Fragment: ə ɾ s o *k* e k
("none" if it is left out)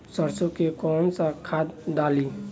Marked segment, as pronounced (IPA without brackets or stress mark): k